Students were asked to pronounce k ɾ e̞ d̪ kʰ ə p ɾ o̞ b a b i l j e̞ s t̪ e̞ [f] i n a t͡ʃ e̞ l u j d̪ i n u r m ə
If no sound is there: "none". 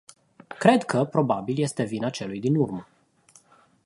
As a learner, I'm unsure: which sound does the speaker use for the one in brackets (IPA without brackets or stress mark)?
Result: v